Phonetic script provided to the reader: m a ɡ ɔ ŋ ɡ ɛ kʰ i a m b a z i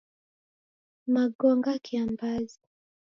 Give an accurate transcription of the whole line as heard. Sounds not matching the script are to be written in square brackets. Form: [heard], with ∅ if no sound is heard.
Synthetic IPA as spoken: m a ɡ ɔ ŋ ɡ [a] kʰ i a m b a z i